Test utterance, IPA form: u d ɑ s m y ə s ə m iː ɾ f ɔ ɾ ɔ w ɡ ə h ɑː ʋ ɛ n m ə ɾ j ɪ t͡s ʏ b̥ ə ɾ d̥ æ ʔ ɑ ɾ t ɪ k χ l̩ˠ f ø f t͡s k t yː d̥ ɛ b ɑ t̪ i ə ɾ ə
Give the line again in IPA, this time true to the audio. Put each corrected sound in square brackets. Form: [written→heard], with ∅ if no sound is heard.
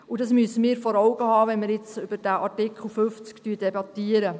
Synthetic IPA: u d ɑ s m y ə s ə m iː ɾ f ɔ ɾ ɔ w ɡ ə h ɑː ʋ ɛ n m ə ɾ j ɪ t͡s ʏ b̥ ə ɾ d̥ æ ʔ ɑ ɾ t ɪ k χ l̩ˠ f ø f t͡s k t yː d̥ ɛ b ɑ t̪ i ə ɾ ə